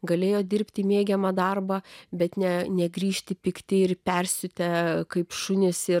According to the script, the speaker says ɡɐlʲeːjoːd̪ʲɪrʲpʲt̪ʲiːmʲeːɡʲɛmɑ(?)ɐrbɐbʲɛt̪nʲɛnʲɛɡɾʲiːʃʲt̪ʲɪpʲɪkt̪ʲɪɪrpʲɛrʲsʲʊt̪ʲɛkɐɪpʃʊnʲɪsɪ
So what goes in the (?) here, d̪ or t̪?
d̪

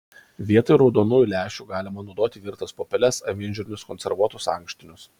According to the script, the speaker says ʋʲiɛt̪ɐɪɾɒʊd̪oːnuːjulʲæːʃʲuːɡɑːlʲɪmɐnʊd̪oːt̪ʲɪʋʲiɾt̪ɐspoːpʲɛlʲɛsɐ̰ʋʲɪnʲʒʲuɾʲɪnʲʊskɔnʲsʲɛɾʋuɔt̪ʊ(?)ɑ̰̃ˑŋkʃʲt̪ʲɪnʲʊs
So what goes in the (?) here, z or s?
s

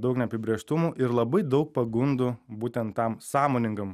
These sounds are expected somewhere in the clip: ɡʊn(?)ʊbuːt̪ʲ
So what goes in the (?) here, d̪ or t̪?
d̪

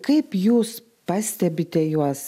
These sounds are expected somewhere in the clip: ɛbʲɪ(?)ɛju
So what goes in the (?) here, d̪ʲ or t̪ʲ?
t̪ʲ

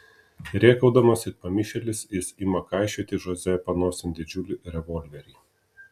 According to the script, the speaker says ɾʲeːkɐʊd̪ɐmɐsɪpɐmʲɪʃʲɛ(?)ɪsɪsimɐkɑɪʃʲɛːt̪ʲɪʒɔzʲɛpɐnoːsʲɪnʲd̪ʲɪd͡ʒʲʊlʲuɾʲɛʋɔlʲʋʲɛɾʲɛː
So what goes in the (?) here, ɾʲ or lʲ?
lʲ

